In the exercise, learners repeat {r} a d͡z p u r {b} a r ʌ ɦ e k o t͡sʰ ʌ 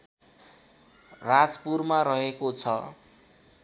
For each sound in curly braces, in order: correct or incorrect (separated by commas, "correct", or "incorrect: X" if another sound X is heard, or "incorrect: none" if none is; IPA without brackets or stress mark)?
correct, incorrect: m